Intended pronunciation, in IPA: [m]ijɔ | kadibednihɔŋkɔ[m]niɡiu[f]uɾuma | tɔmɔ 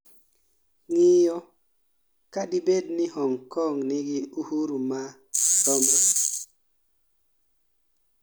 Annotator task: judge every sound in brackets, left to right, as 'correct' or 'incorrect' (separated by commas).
incorrect, incorrect, incorrect